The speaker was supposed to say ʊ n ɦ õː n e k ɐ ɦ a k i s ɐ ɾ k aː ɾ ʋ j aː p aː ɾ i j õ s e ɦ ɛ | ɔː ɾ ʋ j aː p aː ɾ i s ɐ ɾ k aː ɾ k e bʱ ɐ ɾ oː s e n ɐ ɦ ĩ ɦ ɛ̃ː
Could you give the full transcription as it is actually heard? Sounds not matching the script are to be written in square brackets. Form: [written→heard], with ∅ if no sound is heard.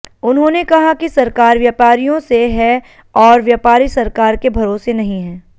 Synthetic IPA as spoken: ʊ n ɦ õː n e k ɐ ɦ a k i s ɐ ɾ k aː ɾ ʋ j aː p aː ɾ i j õ s e ɦ ɛ | ɔː ɾ ʋ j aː p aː ɾ i s ɐ ɾ k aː ɾ k e bʱ ɐ ɾ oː s e n ɐ ɦ ĩ ɦ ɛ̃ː